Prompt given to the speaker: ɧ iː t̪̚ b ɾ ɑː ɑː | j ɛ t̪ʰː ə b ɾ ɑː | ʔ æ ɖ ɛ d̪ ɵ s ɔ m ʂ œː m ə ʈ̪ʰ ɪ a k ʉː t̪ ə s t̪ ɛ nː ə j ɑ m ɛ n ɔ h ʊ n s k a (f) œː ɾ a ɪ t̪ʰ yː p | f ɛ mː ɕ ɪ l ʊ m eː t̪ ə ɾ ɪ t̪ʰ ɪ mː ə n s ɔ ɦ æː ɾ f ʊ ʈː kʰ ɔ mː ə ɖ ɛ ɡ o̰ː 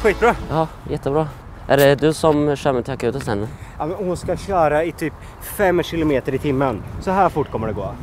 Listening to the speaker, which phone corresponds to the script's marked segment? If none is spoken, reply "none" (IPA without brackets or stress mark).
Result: ɕ